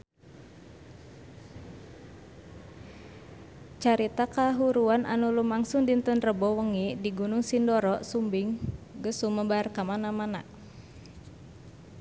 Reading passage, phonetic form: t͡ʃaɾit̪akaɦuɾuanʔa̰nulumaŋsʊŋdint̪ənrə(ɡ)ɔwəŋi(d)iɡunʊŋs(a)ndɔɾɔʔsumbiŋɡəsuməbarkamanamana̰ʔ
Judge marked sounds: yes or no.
no, yes, no

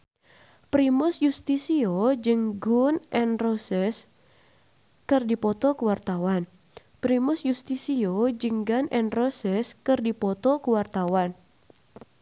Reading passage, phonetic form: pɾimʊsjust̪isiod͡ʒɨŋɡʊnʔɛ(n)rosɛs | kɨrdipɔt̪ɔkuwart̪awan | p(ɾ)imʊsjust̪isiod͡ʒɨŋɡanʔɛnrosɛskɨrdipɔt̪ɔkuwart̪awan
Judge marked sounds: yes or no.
yes, yes

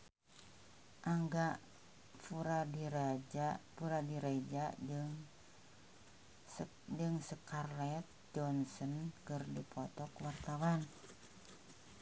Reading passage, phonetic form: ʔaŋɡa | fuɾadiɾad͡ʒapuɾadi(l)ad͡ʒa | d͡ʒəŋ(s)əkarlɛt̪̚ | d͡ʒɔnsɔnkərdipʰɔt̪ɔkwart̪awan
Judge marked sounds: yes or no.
no, yes

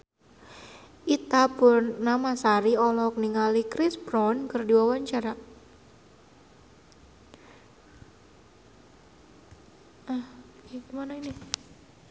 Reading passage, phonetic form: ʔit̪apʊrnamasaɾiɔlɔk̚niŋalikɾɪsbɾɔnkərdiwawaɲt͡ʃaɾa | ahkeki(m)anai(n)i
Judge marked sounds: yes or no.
yes, yes

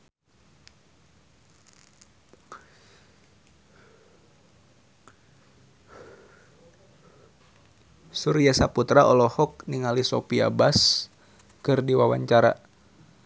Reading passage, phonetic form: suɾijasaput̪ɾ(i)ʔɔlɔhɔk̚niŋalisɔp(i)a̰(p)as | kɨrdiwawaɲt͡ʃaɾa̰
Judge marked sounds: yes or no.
no, yes, no

